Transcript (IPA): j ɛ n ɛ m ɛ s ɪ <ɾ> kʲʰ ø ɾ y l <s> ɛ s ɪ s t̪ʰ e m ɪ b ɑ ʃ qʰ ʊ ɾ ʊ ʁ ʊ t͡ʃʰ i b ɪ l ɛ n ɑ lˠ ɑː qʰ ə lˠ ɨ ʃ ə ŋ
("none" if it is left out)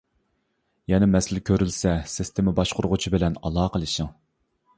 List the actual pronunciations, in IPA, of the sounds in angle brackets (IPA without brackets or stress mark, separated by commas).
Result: l, s